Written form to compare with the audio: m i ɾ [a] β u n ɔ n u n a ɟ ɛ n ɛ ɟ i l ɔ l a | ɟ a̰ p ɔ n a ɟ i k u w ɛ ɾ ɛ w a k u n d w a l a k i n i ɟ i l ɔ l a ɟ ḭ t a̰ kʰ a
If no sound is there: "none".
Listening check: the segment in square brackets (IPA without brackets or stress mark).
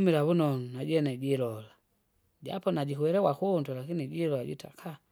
a